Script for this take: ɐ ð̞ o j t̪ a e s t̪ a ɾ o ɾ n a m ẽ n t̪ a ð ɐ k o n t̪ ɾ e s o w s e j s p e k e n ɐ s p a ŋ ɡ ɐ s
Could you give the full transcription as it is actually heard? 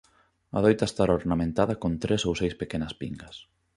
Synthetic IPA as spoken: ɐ ð̞ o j t̪ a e s t̪ a ɾ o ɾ n a m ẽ n t̪ a ð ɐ k o n t̪ ɾ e s o w s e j s p e k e n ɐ s p i ŋ ɡ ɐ s